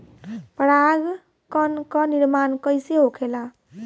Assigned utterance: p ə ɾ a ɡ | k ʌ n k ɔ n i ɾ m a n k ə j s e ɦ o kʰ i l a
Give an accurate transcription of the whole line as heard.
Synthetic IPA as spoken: p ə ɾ a ɡ | k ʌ n k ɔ n i ɾ m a n k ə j s e ɦ o kʰ e l a